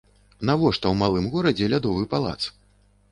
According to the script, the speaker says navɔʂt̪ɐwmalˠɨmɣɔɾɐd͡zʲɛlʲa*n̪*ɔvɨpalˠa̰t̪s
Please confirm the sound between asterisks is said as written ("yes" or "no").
no